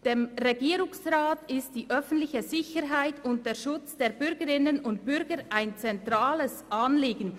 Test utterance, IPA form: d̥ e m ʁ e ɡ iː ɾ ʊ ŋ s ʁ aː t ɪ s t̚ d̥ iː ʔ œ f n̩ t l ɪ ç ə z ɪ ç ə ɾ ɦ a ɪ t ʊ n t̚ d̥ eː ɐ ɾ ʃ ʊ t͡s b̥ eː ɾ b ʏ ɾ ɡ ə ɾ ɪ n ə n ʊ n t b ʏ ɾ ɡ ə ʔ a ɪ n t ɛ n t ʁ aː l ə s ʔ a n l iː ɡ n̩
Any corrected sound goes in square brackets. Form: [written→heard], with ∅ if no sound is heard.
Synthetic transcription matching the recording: d̥ e m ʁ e ɡ iː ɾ ʊ ŋ s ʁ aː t ɪ s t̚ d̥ iː ʔ œ f n̩ t l ɪ ç ə z ɪ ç ə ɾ ɦ a ɪ t ʊ n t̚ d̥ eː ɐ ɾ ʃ ʊ t͡s [b̥→d̥] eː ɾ b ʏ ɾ ɡ ə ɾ ɪ n ə n ʊ n t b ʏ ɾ ɡ ə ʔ a ɪ n [t→t͡s] ɛ n t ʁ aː l ə s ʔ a n l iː ɡ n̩